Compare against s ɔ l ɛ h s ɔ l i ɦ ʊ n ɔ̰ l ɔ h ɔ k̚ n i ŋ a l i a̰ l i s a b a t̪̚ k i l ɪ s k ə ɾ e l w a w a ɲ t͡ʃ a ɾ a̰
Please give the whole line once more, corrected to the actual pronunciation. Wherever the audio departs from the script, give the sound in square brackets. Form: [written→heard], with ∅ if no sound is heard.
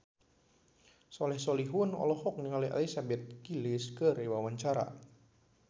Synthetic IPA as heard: s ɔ l ɛ h s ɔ l i ɦ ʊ n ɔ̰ l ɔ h ɔ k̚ n i ŋ a l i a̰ l i s a b [a→ɛ] t̪̚ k i l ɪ s k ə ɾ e [l→∅] w a w a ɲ t͡ʃ a ɾ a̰